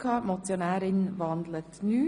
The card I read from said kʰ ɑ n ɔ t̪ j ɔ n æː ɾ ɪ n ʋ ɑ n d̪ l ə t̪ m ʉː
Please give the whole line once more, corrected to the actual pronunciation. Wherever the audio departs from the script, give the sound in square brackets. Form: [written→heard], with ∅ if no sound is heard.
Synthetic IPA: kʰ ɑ [n→m] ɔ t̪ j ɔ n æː ɾ ɪ n ʋ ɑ n d̪ l ə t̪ [m→n] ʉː